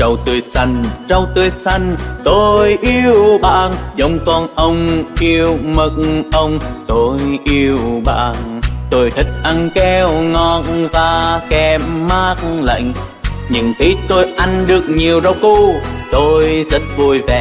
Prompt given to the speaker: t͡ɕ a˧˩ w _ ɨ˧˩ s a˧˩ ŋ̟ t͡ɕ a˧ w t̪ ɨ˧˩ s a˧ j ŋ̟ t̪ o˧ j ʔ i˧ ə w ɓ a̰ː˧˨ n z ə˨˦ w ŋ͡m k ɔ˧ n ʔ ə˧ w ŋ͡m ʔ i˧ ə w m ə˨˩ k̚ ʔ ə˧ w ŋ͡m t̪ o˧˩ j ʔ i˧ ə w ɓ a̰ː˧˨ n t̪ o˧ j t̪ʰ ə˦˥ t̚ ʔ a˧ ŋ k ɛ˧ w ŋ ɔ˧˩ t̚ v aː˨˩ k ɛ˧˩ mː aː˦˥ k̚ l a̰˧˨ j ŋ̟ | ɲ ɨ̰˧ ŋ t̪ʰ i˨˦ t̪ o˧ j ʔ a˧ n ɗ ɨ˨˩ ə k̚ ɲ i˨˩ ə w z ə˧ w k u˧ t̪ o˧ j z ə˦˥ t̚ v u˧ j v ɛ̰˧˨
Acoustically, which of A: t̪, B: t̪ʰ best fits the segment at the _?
A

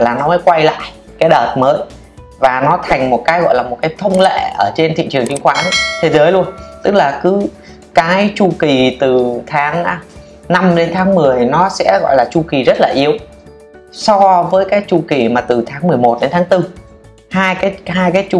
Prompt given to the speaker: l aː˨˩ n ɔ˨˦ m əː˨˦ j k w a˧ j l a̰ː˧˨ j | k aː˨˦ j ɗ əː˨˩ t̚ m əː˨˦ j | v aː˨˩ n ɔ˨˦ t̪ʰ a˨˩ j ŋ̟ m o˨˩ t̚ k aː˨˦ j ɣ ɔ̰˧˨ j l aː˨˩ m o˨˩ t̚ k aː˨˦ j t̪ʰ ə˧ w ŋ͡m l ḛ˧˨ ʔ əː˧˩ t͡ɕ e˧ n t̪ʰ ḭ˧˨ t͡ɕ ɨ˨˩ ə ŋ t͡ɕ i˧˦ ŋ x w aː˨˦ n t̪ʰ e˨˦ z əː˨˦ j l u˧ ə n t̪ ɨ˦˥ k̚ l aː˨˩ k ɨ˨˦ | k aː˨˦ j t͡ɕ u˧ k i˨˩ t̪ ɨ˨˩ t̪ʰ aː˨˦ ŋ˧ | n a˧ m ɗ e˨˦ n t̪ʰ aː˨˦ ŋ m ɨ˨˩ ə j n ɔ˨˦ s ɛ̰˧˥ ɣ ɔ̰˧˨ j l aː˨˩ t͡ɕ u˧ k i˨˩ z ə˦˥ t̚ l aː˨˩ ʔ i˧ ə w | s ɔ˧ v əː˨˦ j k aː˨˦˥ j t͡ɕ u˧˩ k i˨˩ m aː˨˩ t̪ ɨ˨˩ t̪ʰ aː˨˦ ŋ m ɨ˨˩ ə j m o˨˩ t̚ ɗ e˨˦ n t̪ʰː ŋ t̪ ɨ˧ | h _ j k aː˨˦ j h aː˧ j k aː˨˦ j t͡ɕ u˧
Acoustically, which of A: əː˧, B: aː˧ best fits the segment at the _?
B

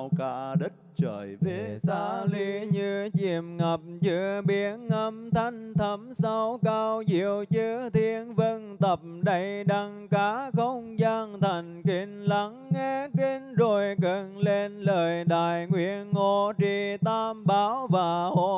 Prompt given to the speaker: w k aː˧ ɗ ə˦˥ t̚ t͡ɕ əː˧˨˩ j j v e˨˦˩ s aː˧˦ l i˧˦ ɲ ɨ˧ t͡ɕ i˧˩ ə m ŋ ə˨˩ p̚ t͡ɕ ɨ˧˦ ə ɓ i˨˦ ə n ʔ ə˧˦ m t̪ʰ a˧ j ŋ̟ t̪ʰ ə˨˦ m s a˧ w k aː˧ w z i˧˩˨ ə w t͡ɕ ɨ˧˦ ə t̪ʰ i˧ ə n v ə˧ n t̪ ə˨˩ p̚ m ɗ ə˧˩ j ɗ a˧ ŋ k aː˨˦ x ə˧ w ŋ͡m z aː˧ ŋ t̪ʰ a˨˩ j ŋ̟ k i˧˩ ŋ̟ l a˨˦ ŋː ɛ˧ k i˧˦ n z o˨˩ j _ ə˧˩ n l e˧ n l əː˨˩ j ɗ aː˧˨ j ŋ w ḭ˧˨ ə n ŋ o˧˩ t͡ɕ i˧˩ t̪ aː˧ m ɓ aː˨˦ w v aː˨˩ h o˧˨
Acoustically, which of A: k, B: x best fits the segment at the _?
A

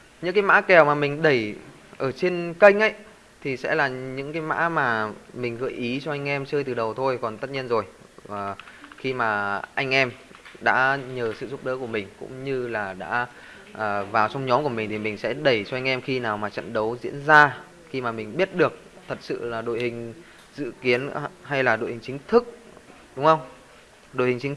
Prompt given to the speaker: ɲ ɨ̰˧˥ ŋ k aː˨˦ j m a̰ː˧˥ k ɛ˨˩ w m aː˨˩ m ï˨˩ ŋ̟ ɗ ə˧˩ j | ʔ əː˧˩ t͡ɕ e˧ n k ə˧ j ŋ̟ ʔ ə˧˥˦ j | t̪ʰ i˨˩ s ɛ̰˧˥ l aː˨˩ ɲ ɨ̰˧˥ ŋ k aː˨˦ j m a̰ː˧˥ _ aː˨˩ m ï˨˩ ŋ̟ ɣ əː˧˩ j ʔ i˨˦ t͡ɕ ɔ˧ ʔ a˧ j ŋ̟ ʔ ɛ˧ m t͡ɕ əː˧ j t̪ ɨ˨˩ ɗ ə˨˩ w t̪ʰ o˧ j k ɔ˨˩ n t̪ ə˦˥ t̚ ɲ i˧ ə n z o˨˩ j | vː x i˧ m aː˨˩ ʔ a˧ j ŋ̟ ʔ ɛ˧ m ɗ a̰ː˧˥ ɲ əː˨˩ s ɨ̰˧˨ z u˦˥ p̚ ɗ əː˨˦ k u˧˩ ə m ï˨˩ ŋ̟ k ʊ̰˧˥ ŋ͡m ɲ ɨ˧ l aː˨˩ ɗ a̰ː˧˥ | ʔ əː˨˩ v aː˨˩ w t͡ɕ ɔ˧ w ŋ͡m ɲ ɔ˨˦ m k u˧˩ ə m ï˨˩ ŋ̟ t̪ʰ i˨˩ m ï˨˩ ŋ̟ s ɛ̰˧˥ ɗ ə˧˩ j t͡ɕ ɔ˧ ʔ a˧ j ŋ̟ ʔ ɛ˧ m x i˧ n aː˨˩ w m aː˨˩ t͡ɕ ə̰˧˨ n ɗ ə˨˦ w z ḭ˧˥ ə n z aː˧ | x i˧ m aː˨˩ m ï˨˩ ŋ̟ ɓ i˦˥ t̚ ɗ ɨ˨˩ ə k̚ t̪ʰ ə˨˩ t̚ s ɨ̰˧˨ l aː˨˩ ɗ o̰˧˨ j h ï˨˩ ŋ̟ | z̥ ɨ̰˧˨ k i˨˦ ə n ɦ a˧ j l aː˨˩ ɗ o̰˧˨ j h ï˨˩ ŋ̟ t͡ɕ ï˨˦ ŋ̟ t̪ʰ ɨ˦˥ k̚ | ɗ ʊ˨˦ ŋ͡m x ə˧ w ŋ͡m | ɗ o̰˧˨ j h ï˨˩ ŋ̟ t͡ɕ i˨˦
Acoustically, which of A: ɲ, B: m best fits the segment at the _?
B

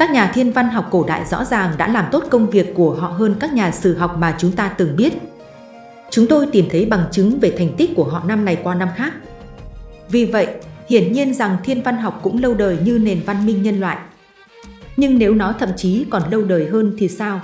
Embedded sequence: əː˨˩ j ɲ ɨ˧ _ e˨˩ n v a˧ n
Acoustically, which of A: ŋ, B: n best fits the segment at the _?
B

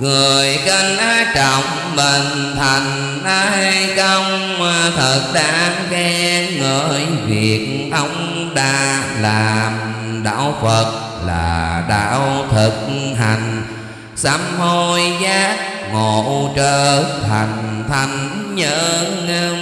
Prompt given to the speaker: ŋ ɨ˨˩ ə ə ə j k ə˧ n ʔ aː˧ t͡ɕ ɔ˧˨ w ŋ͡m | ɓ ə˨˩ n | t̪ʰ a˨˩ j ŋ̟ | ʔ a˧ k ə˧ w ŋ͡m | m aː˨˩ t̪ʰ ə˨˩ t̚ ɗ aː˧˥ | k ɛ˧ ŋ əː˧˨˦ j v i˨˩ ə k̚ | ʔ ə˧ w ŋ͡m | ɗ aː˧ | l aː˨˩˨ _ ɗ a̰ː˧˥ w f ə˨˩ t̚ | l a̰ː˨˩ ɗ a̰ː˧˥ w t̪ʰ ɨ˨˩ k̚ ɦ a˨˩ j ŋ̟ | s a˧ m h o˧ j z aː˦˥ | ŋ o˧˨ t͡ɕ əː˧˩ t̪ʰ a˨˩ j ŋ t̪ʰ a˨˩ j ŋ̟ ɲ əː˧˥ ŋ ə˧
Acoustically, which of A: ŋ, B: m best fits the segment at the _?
B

